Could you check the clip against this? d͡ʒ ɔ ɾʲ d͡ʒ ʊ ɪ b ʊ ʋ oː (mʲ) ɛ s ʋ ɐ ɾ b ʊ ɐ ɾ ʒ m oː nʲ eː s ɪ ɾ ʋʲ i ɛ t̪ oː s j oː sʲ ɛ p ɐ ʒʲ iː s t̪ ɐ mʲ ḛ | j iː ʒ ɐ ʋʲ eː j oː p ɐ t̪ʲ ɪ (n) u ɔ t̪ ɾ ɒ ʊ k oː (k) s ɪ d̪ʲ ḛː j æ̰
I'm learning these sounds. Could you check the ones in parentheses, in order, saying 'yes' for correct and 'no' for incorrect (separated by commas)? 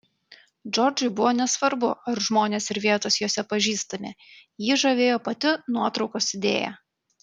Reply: no, yes, no